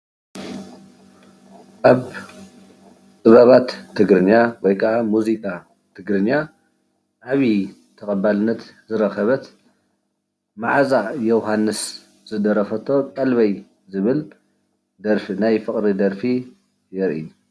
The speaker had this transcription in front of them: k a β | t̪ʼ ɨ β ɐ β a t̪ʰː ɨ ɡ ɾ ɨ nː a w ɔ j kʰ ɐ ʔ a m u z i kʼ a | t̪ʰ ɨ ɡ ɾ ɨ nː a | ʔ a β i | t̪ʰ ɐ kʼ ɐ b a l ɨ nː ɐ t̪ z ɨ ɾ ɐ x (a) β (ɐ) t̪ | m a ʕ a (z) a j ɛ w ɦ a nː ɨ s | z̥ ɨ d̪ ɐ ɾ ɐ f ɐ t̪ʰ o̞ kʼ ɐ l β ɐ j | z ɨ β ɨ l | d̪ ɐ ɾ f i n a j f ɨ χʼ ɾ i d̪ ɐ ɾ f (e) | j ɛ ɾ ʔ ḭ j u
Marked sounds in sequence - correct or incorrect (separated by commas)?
incorrect, correct, correct, incorrect